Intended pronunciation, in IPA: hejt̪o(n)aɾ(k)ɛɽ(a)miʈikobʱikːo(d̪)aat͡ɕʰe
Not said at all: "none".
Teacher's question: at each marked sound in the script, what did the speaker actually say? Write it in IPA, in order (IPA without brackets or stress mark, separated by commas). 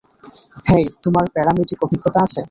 m, p, a, t̪